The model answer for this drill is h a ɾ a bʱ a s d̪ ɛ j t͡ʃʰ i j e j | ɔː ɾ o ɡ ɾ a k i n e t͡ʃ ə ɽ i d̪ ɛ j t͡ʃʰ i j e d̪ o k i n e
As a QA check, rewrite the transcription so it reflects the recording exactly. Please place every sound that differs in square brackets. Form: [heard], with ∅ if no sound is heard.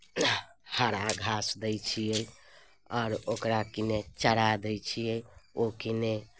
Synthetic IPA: h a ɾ a [ɡʱ] a s d̪ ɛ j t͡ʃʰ i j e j | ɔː ɾ o [k] ɾ a k i n e t͡ʃ ə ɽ [a] d̪ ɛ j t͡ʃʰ i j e [∅] o k i n e